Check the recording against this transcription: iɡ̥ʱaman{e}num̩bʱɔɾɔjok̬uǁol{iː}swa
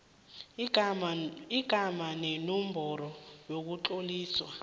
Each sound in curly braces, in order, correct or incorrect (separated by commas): correct, correct